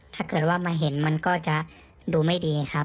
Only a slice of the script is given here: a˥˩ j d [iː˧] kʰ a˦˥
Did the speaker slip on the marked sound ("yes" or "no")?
no